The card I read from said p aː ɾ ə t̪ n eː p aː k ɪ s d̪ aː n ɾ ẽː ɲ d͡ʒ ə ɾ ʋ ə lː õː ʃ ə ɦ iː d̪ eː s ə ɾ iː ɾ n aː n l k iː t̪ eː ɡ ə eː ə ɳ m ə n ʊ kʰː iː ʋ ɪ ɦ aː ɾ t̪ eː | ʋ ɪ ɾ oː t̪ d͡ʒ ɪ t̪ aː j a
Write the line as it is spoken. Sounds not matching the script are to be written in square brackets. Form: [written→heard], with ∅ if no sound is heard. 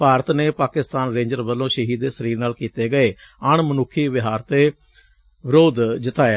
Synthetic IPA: p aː ɾ ə t̪ n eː p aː k ɪ s [d̪→t̪] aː n ɾ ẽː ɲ d͡ʒ ə ɾ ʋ ə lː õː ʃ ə ɦ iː d̪ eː s ə ɾ iː ɾ n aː [n→∅] l k iː t̪ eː ɡ ə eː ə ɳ m ə n ʊ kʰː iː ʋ ɪ ɦ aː ɾ t̪ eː | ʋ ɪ ɾ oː [t̪→d̪] d͡ʒ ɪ t̪ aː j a